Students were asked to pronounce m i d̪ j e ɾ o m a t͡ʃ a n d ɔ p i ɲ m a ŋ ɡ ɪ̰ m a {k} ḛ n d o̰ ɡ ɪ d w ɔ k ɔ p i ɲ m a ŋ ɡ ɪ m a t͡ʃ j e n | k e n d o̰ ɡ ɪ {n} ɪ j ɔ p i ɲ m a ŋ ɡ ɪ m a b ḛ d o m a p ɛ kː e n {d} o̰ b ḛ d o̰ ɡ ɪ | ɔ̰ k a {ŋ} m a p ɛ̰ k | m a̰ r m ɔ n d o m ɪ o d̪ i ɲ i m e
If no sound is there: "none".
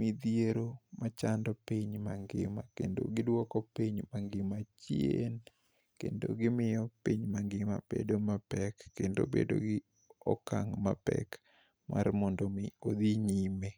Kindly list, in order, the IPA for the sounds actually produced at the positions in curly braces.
k, m, d, ŋ

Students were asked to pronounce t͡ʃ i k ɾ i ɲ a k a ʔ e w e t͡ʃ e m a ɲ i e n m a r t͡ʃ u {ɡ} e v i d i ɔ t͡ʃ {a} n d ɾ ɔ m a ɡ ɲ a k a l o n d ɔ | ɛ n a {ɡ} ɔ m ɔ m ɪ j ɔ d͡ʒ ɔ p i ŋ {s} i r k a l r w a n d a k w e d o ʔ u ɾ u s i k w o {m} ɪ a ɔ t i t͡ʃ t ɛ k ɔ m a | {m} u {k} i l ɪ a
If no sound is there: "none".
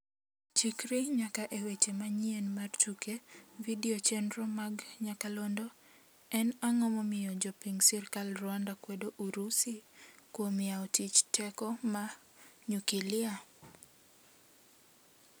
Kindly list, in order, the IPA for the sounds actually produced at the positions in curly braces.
k, ɛ, ŋ, s, m, ɲ, k

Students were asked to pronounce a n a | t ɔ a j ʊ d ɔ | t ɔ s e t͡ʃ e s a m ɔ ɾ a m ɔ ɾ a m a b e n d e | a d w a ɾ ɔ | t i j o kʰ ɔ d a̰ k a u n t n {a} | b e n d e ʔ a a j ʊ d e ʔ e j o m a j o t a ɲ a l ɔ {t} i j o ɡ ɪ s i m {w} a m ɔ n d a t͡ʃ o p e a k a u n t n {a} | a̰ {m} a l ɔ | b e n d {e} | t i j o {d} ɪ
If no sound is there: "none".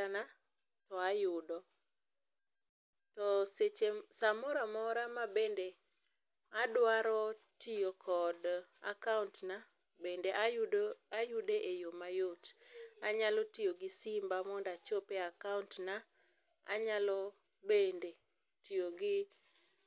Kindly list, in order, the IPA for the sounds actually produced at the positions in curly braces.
a, t, b, a, ɲ, e, ɡ

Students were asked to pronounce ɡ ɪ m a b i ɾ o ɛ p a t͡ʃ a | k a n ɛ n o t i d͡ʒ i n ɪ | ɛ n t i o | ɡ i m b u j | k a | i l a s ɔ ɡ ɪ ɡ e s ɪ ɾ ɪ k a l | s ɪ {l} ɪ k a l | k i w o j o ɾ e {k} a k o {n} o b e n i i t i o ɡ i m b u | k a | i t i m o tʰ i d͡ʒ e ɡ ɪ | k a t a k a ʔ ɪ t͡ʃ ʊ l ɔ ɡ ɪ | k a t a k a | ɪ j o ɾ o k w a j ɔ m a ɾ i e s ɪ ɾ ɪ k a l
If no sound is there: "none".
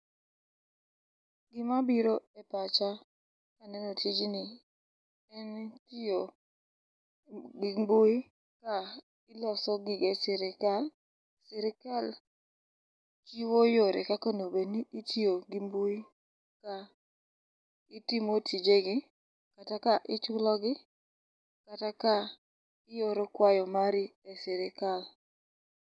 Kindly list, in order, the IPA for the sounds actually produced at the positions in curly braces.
ɾ, k, n

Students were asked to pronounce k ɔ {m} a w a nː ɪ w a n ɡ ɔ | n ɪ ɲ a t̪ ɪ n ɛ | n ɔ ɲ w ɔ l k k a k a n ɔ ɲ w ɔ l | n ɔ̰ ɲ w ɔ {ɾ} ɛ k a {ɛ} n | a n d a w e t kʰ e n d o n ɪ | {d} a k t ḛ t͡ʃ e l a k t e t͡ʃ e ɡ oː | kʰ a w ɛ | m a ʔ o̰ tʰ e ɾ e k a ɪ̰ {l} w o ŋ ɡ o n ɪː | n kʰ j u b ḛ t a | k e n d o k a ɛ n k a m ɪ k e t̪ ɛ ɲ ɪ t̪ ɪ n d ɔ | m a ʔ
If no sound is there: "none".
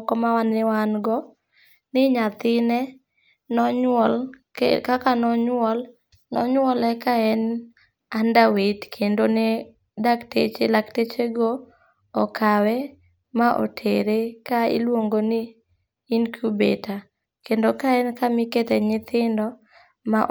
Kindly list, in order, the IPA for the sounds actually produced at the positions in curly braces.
m, l, ɛ, d, l

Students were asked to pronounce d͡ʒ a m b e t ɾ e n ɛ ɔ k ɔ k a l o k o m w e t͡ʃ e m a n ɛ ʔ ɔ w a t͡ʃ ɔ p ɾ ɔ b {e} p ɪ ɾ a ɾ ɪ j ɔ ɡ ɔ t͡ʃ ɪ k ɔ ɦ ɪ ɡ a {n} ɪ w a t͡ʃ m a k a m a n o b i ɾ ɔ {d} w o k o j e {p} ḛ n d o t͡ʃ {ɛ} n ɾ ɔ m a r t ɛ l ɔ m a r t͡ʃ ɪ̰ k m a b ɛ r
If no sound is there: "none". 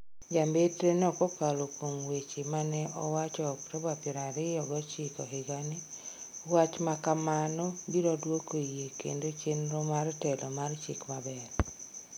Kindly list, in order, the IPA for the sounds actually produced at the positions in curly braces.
a, n, d, k, e

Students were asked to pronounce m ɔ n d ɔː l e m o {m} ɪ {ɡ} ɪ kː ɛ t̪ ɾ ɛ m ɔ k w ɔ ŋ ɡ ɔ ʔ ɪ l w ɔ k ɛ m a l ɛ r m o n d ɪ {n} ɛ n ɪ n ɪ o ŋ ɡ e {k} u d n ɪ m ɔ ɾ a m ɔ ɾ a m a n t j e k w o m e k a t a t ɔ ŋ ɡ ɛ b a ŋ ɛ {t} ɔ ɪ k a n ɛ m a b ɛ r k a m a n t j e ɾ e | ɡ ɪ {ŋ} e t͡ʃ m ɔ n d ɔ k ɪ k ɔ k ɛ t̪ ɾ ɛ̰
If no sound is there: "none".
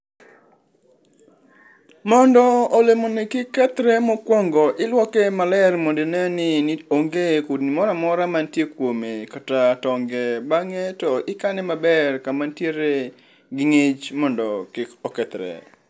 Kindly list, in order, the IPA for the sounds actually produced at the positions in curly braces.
n, k, n, k, t, ŋ

